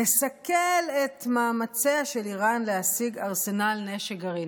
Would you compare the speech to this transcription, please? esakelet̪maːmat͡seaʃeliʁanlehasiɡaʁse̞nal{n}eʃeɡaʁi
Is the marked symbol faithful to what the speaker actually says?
yes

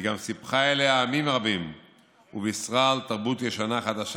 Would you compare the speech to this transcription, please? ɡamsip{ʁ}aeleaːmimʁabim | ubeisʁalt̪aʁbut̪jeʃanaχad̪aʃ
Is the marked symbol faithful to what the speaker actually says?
no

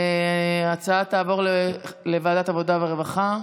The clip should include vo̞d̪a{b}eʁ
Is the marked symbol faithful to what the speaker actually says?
no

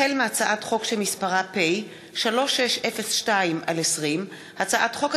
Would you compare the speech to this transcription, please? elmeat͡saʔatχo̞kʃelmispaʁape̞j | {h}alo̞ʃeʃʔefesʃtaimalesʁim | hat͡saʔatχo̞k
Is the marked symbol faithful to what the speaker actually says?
no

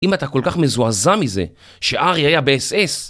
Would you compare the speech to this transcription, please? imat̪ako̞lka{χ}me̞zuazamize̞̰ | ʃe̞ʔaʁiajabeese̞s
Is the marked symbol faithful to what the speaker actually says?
yes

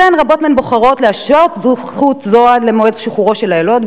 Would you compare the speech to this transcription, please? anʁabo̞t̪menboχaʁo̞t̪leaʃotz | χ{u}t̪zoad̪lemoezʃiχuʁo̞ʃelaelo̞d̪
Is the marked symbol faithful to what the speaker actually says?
yes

